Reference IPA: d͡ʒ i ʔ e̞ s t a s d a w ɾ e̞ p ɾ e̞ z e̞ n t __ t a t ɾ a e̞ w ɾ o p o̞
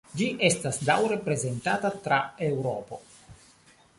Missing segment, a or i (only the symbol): a